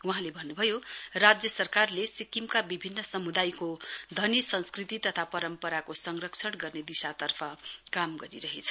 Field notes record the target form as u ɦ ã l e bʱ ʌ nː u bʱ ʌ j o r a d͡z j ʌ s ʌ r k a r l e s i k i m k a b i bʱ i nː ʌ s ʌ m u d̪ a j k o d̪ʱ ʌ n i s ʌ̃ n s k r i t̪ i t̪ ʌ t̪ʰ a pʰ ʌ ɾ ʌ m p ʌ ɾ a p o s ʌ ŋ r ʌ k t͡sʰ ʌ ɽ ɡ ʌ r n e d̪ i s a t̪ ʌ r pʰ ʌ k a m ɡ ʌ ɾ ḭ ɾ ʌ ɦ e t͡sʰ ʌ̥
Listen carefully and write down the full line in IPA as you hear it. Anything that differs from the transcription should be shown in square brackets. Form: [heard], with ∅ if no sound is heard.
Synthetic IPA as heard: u ɦ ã l e bʱ ʌ nː u bʱ ʌ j o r a d͡z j ʌ s ʌ r k a r l e s i k i m k a b i bʱ i nː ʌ s ʌ m u d̪ a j k o d̪ʱ ʌ n i s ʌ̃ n s k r i t̪ i t̪ ʌ t̪ʰ a [p] ʌ ɾ ʌ m p ʌ ɾ a [k] o s ʌ ŋ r ʌ k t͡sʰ ʌ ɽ ɡ ʌ r n e d̪ i s a t̪ ʌ r pʰ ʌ k a m ɡ ʌ ɾ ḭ ɾ ʌ ɦ e t͡sʰ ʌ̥